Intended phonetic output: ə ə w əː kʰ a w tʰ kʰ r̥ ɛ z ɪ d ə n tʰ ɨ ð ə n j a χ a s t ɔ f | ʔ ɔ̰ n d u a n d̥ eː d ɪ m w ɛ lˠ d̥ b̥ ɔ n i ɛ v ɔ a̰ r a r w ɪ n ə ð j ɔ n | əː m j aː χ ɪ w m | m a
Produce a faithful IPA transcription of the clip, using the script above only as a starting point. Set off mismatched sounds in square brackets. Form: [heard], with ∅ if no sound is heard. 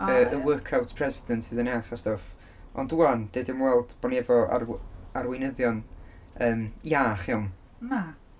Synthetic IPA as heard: ə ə w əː kʰ a w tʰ [pʰ] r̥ ɛ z ɪ d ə n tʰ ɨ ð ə n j a χ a s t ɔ f | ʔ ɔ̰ n d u a n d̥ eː d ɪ m w ɛ lˠ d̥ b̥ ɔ n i ɛ v ɔ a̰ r a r w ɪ n ə ð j ɔ n | əː m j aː χ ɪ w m | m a